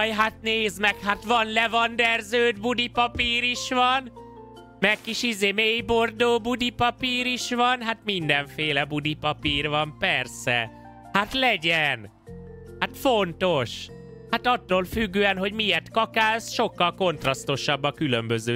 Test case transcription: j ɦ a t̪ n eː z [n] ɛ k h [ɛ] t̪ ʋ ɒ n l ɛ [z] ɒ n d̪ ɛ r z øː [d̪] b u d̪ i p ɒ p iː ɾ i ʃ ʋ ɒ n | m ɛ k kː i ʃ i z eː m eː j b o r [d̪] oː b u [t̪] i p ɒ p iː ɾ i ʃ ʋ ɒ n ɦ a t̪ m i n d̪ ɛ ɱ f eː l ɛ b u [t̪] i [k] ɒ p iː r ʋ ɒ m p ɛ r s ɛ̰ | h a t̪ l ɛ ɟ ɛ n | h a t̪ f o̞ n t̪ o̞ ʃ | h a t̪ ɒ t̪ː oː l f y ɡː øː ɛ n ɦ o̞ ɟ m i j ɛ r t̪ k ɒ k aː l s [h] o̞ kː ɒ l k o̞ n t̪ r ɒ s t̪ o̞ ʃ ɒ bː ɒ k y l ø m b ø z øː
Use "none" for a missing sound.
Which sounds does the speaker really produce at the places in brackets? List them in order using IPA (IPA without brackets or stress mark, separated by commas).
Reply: m, a, v, d̪, d̪, d̪, d̪, p, ʃ